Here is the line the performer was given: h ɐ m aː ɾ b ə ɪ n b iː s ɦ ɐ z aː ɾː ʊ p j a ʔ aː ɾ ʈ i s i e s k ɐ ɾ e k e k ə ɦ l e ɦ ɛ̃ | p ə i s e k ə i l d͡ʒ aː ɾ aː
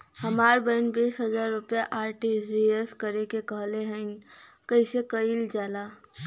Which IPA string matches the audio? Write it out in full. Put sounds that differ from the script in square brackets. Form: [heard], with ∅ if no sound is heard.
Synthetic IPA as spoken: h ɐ m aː ɾ b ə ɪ n b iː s ɦ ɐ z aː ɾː ʊ p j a ʔ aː ɾ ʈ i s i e s k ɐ ɾ e k e k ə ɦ l e ɦ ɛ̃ | [k] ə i s e k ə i l d͡ʒ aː [l] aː